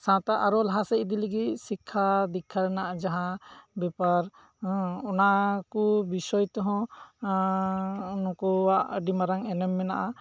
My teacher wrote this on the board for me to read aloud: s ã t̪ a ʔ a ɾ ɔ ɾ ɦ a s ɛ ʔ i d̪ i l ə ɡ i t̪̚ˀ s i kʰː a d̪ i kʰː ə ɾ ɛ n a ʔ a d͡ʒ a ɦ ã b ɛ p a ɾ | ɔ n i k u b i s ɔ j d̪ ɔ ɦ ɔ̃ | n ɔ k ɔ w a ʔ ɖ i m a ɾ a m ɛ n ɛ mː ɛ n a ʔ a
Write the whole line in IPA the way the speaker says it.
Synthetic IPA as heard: s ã t̪ a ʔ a ɾ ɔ l ɦ a s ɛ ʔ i d̪ i l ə ɡ i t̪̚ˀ s i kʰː a d̪ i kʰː a ɾ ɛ n a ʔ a d͡ʒ a ɦ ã b ɛ p a ɾ | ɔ n a k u b i s ɔ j t̪ ɔ ɦ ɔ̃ | n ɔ k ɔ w a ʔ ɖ i m a ɾ a ŋ ɛ n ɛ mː ɛ n a ʔ a